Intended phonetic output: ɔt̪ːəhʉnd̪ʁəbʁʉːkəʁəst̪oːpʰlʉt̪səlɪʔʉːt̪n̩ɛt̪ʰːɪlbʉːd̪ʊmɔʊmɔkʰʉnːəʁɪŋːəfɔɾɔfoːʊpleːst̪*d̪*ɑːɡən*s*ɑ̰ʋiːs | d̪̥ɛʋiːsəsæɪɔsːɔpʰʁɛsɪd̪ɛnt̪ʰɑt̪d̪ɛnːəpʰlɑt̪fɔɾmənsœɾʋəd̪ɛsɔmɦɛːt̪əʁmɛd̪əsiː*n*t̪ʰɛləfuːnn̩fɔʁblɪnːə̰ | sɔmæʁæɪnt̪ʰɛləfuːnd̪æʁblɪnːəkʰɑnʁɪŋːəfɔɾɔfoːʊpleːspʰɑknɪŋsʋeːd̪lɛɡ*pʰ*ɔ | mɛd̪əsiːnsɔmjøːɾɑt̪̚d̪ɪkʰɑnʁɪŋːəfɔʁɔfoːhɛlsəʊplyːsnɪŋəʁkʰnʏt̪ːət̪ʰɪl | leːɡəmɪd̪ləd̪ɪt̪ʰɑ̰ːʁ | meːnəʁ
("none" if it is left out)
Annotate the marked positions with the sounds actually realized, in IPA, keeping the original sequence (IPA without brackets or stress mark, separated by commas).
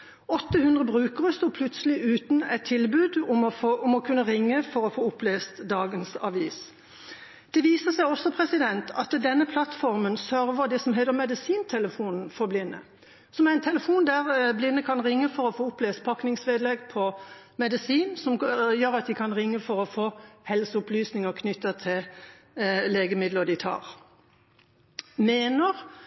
d̪, s, n, pʰ